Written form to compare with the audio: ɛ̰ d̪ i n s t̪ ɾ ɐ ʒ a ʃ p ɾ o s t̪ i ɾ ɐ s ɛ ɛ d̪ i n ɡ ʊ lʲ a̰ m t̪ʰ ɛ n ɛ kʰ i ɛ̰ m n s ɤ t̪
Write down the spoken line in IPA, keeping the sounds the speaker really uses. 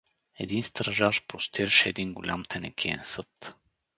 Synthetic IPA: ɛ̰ d̪ i n s t̪ ɾ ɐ ʒ a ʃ p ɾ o s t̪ i ɾ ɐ ʃ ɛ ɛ d̪ i n ɡ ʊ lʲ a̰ m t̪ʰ ɛ n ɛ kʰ i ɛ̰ n s ɤ t̪